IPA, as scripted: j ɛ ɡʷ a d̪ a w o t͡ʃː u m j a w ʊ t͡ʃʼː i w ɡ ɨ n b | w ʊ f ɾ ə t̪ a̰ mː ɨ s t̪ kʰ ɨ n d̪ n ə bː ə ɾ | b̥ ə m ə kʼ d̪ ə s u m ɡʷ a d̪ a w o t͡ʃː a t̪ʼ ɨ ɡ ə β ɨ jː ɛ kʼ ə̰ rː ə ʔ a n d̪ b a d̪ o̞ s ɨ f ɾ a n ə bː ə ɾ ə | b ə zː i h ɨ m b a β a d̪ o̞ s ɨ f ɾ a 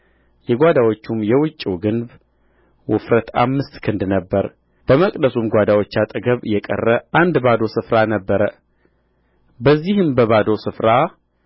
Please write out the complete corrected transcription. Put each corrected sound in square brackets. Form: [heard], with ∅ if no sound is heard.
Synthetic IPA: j ɛ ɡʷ a d̪ a w o t͡ʃː u m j [ɛ] w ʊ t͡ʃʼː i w ɡ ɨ n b | w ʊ f ɾ ə t̪ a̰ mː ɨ s t̪ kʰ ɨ n d̪ n ə bː ə ɾ | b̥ ə m ə kʼ d̪ ə s u m ɡʷ a d̪ a w o t͡ʃː a t̪ʼ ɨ ɡ ə β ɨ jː ɛ kʼ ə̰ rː ə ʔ a n d̪ b a d̪ o̞ s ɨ f ɾ a n ə bː ə ɾ ə | b ə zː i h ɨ m b [ə] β a d̪ o̞ s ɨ f ɾ a

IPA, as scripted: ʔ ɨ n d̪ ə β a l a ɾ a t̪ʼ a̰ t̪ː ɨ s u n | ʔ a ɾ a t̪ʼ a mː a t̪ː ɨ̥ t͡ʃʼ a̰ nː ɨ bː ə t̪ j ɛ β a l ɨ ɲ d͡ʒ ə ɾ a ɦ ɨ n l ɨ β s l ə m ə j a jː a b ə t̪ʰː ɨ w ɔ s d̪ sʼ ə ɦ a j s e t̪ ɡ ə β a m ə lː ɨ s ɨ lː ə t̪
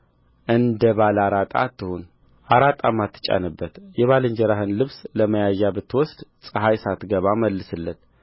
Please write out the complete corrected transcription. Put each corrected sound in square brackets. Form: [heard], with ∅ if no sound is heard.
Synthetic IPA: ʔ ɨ n d̪ ə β a l a ɾ a t̪ʼ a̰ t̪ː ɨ [h] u n | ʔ a ɾ a t̪ʼ a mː a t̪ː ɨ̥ t͡ʃʼ a̰ [n] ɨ bː ə t̪ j ɛ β a l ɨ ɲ d͡ʒ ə ɾ a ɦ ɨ n l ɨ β s l ə m ə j a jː a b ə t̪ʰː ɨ w ɔ s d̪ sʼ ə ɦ a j s [a] t̪ ɡ ə β a m ə lː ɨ s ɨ lː ə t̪

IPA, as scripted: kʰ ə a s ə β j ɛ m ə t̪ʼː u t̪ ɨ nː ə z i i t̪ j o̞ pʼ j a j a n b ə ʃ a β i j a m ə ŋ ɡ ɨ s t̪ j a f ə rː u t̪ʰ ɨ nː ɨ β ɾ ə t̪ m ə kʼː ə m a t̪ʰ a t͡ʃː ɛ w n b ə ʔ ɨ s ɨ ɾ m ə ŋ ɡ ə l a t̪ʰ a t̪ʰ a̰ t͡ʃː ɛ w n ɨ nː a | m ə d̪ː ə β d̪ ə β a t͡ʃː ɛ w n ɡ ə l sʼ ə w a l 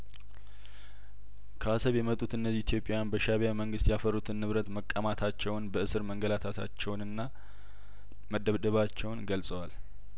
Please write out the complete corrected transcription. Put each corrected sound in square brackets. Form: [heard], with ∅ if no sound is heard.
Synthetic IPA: kʰ ə a s ə β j ɛ m ə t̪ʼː u t̪ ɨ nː ə z i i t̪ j o̞ pʼ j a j a n b ə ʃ a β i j a m ə ŋ ɡ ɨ s t̪ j a f ə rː u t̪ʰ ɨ nː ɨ β ɾ ə t̪ m ə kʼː ə m a t̪ʰ a t͡ʃː ɛ w n b ə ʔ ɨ s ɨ ɾ m ə ŋ ɡ ə l a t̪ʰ a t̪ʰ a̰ t͡ʃː ɛ w n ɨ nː a | m ə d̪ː ə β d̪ ə β a t͡ʃː ɛ w n ɡ ə l sʼ ə w a l

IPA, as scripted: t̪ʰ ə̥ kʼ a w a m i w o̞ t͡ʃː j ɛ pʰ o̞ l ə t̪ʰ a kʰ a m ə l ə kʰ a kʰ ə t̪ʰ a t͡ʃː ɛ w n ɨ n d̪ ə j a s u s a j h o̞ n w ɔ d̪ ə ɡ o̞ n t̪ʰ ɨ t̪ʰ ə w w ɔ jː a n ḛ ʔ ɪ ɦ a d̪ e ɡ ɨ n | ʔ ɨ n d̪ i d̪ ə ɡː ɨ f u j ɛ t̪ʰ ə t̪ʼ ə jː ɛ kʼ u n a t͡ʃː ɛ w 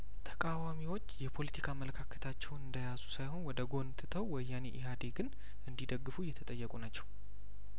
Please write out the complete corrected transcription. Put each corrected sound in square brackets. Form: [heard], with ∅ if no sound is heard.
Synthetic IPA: t̪ʰ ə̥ kʼ a w a m i w o̞ t͡ʃː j ɛ pʰ o̞ l ə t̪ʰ [i] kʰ a m ə l ə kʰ a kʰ ə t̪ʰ a t͡ʃː ɛ w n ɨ n d̪ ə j a [z] u s a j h o̞ n w ɔ d̪ ə ɡ o̞ n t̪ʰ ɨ t̪ʰ ə w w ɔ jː a n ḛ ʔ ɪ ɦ a d̪ e ɡ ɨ n | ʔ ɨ n d̪ i d̪ ə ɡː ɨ f u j ɛ t̪ʰ ə t̪ʼ ə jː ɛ kʼ u n a t͡ʃː ɛ w

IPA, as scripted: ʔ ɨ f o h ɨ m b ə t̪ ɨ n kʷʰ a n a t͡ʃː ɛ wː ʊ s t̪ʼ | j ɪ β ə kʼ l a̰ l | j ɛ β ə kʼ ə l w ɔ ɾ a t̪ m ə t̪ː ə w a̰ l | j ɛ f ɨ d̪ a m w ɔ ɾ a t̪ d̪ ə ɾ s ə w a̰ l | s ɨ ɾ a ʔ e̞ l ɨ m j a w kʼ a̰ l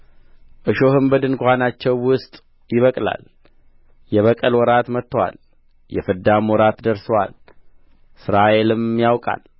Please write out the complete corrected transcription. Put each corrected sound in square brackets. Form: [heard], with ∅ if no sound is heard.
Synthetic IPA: ʔ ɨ [ʃ] o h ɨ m b ə [d̪] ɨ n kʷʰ a n a t͡ʃː ɛ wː ʊ s t̪ʼ | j ɪ β ə kʼ l a̰ l | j ɛ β ə kʼ ə l w ɔ ɾ a t̪ m ə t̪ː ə w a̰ l | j ɛ f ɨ d̪ a m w ɔ ɾ a t̪ d̪ ə ɾ s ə w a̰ l | s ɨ ɾ a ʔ e̞ l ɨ m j a w kʼ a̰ l

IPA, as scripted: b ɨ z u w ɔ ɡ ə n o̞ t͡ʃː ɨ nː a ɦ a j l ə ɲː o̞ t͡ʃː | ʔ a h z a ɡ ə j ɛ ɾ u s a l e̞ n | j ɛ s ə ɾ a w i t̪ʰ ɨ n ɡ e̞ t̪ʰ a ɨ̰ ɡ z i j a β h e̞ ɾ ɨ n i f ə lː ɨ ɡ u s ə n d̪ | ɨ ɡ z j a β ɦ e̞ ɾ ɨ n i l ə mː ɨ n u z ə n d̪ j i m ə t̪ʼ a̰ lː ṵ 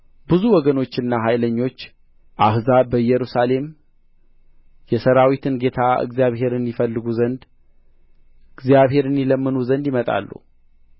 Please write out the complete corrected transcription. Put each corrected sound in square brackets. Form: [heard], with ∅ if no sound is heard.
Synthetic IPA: b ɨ z u w ɔ ɡ ə n o̞ t͡ʃː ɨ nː a ɦ a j l ə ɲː o̞ t͡ʃː | ʔ a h z a [b] ə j ɛ ɾ u s a l e̞ [m] | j ɛ s ə ɾ a w i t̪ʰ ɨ n ɡ e̞ t̪ʰ a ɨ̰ ɡ z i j a β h e̞ ɾ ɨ n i f ə lː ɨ ɡ u [z] ə n d̪ | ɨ ɡ z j a β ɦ e̞ ɾ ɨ n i l ə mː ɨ n u z ə n d̪ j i m ə t̪ʼ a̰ lː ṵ

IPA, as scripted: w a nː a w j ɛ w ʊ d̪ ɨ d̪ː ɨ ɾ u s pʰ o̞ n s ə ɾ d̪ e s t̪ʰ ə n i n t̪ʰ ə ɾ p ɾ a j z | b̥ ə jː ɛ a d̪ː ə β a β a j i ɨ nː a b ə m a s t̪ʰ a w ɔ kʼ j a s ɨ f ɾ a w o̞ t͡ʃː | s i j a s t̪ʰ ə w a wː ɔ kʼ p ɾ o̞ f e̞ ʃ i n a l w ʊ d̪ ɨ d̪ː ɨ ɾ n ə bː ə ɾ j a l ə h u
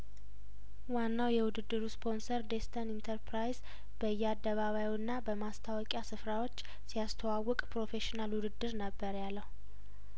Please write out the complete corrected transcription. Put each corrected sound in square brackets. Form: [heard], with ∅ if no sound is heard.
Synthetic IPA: w a nː a w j ɛ w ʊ d̪ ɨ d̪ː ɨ ɾ u s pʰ o̞ n s ə ɾ d̪ e s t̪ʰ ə n i n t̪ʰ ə ɾ p ɾ a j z | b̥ ə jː ɛ a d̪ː ə β a β a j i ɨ nː a b ə m a s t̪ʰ a w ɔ kʼ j a s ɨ f ɾ a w o̞ t͡ʃː | s i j a s t̪ʰ ə w a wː ɔ kʼ p ɾ o̞ f e̞ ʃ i n a l w ʊ d̪ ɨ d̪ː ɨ ɾ n ə bː ə ɾ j a [lː] ə h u

